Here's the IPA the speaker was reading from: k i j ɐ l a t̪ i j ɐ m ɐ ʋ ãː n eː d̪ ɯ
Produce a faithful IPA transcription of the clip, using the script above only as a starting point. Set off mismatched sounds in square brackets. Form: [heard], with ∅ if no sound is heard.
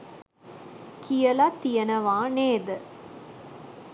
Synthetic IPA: k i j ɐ l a t̪ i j ɐ [n] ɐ ʋ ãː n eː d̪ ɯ